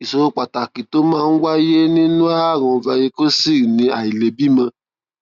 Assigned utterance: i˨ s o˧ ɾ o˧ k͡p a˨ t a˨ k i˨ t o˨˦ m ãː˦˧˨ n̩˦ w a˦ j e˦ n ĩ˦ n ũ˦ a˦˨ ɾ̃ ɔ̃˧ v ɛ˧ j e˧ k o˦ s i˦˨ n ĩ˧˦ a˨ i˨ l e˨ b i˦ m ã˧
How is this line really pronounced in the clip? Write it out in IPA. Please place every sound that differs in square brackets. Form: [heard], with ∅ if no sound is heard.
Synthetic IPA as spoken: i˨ s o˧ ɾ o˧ k͡p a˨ t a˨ k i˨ t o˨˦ m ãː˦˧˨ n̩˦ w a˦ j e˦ n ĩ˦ n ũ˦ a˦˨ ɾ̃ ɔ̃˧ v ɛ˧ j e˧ k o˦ s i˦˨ n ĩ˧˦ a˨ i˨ l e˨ b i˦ m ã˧